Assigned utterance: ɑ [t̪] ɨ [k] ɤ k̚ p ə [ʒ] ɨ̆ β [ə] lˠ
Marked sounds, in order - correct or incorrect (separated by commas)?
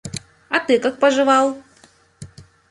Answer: correct, correct, correct, incorrect